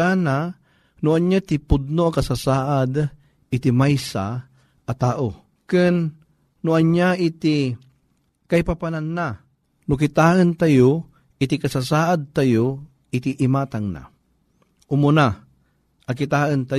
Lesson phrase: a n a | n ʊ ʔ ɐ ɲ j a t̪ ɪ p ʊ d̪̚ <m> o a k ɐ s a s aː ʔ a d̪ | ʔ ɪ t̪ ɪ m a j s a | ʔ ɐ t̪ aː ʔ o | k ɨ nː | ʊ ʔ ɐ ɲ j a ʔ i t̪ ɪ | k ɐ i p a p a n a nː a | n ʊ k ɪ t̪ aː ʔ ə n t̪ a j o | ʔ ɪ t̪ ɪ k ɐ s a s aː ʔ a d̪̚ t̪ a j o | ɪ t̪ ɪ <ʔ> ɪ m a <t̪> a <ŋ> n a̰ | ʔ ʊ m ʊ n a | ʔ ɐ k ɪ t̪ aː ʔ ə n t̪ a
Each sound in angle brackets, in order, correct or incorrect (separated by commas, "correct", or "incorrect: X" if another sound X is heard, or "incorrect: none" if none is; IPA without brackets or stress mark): incorrect: n, correct, correct, correct